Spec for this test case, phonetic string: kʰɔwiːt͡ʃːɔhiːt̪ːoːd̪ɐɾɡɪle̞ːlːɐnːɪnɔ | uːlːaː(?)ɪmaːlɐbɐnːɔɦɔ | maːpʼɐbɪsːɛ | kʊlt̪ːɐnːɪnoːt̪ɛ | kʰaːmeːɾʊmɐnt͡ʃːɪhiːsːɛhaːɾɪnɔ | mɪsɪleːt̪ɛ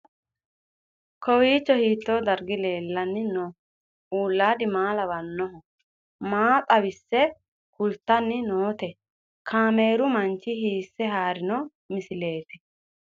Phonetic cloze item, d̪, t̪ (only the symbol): d̪